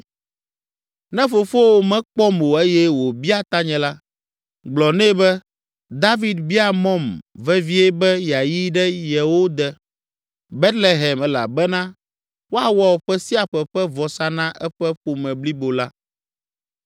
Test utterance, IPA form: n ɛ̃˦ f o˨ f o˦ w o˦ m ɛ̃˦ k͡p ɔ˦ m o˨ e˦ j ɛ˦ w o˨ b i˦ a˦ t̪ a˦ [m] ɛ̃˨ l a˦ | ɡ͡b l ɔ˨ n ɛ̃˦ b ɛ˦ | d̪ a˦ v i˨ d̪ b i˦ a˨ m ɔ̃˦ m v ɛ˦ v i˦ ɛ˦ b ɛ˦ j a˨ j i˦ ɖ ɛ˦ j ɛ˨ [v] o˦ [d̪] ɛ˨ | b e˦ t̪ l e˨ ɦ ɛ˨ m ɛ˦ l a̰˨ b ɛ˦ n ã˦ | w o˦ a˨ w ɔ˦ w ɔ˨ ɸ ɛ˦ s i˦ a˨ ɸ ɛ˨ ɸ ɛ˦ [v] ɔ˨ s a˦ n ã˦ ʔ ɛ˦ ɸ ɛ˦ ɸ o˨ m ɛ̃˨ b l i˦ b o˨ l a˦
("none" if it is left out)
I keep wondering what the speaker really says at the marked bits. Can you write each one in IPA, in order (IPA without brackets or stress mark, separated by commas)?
ɲ, w, d̪, v